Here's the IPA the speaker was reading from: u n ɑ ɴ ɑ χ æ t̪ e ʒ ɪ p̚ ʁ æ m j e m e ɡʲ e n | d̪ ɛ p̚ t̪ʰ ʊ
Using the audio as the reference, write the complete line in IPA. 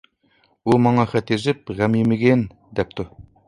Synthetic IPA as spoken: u m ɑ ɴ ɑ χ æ t̪ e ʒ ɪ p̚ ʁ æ m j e m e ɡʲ e n | d̪ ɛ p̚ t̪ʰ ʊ